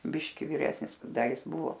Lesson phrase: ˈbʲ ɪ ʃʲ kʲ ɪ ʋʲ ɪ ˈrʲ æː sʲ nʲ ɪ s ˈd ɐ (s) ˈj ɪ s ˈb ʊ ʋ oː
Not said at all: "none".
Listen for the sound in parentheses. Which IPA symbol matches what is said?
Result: none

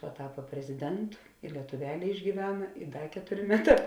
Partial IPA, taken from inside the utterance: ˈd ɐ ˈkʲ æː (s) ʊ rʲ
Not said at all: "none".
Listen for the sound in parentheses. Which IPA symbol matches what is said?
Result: t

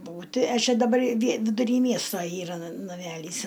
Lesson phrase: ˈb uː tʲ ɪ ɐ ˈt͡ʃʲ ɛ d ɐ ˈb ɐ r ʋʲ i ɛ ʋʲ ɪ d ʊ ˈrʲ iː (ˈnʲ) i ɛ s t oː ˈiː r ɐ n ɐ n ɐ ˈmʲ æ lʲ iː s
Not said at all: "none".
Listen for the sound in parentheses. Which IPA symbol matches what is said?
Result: mʲ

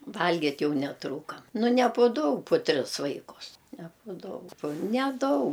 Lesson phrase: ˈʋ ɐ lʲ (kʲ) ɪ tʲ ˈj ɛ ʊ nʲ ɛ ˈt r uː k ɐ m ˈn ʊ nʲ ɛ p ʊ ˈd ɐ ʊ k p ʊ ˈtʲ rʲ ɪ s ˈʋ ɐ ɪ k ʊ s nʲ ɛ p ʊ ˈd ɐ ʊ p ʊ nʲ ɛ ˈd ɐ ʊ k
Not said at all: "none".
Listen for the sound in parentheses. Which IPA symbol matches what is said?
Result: ɡʲ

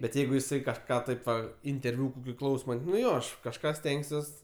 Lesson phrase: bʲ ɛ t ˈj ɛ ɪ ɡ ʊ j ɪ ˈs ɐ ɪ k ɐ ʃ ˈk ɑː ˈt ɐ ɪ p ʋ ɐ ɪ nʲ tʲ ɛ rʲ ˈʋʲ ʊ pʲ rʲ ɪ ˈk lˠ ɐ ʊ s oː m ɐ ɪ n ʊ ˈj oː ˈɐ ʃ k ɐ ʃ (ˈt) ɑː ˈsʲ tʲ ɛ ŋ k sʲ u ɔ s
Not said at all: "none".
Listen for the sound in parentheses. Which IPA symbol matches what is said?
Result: k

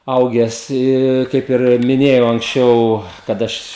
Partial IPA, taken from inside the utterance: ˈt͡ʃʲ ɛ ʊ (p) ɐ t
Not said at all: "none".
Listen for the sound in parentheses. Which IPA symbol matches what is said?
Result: k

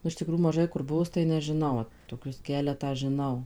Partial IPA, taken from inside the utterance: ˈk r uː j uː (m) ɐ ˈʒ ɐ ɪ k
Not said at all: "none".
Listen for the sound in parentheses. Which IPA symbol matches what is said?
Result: m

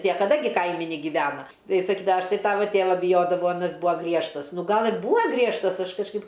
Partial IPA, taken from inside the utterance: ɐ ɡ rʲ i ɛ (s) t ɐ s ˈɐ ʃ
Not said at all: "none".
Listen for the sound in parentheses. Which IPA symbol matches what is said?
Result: ʃ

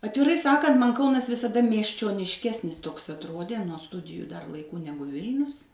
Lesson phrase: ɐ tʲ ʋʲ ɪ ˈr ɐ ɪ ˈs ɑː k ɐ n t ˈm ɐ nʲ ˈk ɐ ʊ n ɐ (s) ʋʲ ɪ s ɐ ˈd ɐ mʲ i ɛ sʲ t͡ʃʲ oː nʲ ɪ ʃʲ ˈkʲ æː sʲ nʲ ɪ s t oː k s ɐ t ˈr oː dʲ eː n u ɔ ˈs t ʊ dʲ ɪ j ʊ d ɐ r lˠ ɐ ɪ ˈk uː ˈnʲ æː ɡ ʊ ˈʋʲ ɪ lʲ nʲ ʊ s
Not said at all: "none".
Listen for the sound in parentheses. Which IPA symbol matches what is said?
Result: s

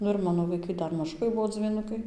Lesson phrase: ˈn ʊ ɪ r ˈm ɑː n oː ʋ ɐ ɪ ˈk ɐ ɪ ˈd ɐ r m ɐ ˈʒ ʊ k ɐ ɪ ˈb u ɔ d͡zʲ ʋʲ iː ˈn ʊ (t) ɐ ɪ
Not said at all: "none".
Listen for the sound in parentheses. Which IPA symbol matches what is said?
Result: k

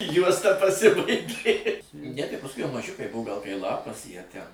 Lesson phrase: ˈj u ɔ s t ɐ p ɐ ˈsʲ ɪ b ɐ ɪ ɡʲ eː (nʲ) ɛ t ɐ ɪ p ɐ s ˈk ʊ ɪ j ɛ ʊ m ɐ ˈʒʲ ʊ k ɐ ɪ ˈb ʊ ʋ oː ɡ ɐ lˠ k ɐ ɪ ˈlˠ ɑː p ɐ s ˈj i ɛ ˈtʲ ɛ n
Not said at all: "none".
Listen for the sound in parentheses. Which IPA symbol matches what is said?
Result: nʲ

